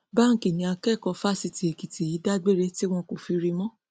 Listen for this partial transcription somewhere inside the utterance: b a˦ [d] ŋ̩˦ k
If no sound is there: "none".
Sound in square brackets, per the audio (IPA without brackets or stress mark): none